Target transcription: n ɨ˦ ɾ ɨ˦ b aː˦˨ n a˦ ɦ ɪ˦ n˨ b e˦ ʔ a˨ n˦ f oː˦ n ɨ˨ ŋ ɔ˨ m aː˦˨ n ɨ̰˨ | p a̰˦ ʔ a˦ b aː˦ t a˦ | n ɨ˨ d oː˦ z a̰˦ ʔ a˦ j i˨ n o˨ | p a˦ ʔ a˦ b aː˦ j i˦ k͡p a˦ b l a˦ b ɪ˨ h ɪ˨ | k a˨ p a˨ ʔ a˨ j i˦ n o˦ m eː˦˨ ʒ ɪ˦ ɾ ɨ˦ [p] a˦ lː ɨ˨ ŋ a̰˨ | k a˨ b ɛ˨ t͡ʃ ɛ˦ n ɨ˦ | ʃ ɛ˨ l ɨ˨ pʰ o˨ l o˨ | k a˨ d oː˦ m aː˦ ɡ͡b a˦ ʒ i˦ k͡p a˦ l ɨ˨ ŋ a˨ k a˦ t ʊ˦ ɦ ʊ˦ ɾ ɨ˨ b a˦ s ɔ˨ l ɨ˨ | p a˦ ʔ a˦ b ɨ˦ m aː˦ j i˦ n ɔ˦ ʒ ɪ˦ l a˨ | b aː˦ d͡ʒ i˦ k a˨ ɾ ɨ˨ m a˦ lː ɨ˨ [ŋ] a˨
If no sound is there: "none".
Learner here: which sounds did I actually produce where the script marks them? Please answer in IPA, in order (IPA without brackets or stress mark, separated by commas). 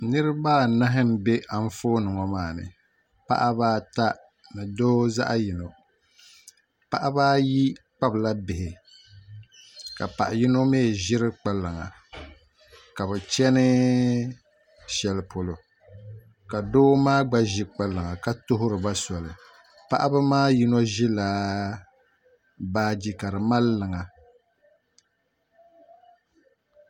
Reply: k͡p, ŋ